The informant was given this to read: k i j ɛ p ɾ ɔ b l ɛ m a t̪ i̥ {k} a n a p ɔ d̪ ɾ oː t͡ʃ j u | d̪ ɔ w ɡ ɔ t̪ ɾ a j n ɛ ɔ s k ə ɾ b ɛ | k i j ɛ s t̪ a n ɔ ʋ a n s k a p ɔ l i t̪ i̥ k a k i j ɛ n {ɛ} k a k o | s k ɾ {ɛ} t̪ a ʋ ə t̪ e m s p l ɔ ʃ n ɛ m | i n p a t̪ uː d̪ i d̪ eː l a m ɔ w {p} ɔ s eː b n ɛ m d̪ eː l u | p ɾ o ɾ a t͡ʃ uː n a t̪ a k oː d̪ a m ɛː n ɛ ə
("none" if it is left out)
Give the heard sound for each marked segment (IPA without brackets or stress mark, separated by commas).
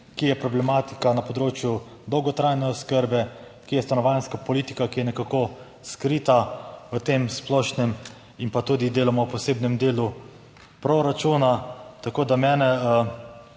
k, ɛ, i, p